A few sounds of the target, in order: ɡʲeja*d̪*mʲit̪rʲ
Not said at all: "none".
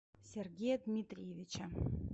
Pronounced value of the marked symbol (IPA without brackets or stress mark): d̪